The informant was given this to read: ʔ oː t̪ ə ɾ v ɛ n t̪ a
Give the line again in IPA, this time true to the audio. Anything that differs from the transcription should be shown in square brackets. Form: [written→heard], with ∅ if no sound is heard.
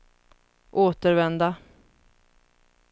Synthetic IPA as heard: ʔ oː t̪ ə ɾ v ɛ n [t̪→d̪] a